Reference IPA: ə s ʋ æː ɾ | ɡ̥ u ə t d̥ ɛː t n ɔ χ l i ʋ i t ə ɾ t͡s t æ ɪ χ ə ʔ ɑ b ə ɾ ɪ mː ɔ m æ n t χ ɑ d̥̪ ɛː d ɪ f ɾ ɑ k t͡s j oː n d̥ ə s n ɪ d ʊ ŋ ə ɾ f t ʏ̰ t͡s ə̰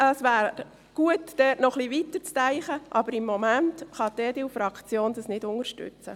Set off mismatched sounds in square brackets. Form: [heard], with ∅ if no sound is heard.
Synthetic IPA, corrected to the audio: ə s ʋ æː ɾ | ɡ̥ u ə t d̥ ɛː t n ɔ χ l i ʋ i t ə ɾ t͡s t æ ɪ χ ə ʔ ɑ b ə ɾ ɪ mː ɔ m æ n t χ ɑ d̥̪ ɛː d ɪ f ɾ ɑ k t͡s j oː n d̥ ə s n ɪ d ʊ ŋ ə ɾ [ʃ] t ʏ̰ t͡s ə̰